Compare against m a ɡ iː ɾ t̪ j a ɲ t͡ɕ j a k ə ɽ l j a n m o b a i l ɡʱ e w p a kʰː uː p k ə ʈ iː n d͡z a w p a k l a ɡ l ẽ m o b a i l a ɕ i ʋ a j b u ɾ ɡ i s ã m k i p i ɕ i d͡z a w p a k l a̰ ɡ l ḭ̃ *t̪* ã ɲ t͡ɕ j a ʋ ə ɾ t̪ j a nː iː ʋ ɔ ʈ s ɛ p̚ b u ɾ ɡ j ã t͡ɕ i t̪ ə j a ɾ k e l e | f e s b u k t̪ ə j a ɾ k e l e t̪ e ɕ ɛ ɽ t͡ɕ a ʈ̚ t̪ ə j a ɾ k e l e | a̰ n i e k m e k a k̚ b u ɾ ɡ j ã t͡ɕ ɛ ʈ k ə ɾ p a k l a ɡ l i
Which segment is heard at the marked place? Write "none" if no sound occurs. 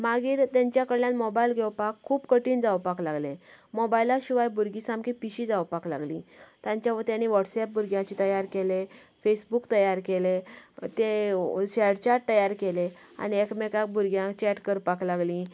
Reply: t̪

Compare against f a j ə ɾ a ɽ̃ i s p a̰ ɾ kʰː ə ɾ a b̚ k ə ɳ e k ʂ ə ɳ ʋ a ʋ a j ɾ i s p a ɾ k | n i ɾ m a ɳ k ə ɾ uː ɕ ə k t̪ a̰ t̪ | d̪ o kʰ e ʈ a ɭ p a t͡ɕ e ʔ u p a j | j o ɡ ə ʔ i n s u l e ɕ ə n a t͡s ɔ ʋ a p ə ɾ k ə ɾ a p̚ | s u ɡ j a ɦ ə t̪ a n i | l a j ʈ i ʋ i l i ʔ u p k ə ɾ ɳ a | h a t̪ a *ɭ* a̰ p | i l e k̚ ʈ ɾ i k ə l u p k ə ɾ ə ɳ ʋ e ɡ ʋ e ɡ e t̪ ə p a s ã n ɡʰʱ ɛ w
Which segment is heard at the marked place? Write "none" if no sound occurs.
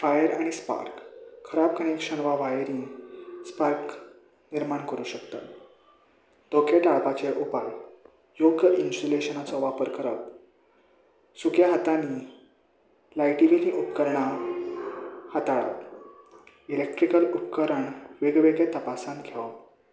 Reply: ɭ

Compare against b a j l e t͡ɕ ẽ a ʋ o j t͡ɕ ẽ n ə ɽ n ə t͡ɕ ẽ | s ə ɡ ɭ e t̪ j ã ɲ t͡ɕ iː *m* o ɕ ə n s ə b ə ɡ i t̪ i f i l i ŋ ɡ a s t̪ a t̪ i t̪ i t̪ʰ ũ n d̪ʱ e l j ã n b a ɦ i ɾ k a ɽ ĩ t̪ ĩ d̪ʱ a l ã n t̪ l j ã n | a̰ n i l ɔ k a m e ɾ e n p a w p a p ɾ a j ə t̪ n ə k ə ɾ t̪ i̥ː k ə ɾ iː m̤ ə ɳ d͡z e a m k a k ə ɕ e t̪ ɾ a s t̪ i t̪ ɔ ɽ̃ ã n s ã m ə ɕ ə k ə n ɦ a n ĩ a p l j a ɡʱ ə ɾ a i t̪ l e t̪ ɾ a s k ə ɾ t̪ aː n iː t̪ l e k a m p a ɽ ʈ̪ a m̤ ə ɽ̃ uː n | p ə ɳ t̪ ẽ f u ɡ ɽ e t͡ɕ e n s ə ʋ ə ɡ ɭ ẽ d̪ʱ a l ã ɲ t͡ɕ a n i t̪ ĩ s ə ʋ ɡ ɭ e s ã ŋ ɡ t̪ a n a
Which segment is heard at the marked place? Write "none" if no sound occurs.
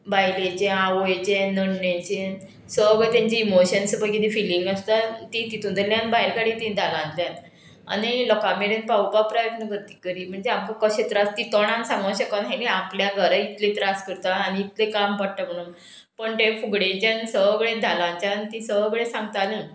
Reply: m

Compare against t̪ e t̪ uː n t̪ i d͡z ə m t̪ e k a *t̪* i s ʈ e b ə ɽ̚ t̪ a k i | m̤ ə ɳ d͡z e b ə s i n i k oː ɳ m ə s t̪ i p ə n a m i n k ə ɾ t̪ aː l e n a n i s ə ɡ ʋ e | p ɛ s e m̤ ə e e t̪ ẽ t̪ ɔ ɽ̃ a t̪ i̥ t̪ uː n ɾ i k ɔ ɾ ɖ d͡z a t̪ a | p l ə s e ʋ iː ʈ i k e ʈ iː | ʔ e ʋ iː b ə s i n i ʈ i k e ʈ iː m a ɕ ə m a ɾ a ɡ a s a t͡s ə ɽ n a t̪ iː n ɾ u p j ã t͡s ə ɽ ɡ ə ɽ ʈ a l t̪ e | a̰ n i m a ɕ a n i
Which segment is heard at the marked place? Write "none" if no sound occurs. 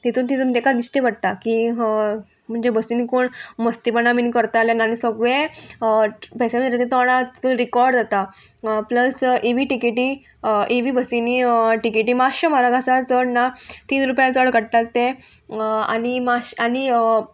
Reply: d̪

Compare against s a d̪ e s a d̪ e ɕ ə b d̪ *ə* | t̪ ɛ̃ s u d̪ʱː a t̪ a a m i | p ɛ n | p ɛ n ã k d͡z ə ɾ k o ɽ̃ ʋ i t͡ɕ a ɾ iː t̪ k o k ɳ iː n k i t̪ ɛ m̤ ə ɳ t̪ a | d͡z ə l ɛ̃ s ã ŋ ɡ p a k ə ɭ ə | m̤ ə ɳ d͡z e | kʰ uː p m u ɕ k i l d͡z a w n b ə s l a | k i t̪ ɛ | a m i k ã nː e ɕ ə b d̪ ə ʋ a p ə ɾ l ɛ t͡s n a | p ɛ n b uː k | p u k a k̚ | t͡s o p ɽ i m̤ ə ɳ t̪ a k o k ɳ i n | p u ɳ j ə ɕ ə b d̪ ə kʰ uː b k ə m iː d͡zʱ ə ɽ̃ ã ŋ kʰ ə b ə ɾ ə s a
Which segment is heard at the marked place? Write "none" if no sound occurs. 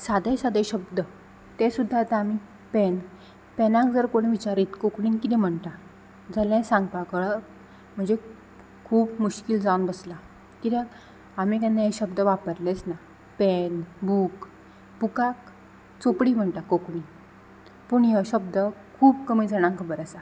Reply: ə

